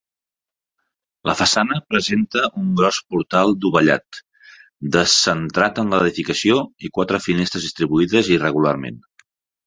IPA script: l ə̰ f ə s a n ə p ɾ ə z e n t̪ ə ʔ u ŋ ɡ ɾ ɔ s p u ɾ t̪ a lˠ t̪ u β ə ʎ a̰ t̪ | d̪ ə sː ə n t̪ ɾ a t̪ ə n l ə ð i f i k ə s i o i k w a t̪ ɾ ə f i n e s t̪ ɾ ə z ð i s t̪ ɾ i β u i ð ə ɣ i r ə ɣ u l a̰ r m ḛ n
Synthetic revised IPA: l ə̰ f ə s a n ə p ɾ ə z e n t̪ ə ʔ u ŋ ɡ ɾ ɔ s p u ɾ t̪ a lˠ d̪ u β ə ʎ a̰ t̪ | d̪ ə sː ə n t̪ ɾ a t̪ ə n l ə ð i f i k ə s i o i k w a t̪ ɾ ə f i n e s t̪ ɾ ə z ð i s t̪ ɾ i β u i ð ə z i r ə ɣ u l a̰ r m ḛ n